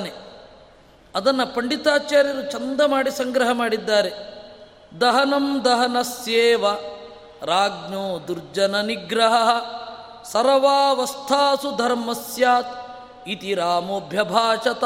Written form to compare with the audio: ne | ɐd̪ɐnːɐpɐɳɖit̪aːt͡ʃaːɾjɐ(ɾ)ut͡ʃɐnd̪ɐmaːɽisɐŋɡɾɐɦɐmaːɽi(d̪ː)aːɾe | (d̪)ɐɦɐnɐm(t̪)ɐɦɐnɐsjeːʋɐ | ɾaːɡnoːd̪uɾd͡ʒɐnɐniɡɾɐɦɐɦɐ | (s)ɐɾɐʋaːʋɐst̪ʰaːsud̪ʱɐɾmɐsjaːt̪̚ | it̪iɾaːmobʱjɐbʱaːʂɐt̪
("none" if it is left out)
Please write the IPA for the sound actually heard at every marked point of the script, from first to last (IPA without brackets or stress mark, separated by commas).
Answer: ɾ, d̪ː, d̪, d̪, s